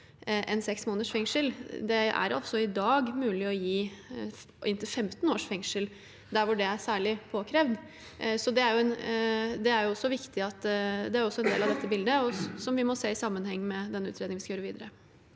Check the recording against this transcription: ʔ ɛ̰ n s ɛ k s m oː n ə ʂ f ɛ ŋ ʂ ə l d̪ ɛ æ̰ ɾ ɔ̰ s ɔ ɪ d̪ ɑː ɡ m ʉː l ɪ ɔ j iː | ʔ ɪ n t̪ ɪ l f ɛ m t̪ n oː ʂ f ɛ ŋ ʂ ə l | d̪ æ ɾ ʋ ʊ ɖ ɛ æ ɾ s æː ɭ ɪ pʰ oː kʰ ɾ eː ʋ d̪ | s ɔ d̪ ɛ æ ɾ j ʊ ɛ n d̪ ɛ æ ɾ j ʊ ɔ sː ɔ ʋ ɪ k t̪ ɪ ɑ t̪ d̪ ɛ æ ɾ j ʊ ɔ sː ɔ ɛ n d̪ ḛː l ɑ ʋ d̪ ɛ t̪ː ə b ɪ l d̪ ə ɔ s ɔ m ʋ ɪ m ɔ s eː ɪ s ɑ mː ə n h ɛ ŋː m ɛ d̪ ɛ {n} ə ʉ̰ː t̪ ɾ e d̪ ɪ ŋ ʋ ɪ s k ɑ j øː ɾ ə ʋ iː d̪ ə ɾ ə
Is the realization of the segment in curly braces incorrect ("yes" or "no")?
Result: yes